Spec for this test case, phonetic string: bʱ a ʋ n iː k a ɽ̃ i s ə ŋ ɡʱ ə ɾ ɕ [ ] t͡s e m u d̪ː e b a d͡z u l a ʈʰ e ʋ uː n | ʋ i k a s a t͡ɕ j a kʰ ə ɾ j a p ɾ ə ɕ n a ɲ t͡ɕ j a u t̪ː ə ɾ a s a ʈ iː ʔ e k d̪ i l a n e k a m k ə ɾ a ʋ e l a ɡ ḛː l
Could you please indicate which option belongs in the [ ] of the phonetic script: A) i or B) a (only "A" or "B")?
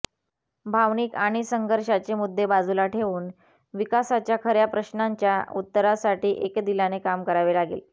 B